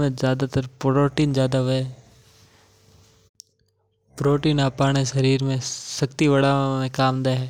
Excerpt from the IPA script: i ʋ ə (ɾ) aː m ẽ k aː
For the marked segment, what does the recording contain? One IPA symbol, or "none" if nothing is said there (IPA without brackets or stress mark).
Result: ɽ